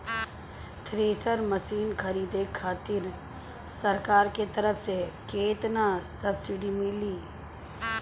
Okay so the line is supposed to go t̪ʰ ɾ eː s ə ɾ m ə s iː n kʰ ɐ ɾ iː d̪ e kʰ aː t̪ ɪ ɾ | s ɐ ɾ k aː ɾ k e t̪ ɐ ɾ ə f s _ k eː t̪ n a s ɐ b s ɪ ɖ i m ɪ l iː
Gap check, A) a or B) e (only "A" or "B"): B